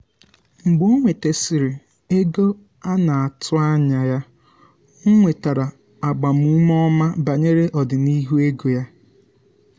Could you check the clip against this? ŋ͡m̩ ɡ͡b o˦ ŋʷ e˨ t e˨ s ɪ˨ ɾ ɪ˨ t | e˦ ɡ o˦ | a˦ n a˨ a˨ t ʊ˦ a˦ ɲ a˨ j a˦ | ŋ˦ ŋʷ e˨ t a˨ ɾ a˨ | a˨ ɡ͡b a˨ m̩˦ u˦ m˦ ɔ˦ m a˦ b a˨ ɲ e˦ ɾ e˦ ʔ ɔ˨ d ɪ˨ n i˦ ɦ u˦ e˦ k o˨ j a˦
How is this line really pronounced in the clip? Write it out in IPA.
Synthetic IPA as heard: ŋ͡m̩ ɡ͡b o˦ ŋʷ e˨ t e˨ s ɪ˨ ɾ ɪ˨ | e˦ ɡ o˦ | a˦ n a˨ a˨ t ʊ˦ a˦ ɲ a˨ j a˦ | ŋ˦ ŋʷ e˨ t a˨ ɾ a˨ | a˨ ɡ͡b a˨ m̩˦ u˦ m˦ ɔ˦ m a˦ b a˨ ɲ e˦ ɾ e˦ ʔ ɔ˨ d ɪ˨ n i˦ ɦ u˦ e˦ ɡ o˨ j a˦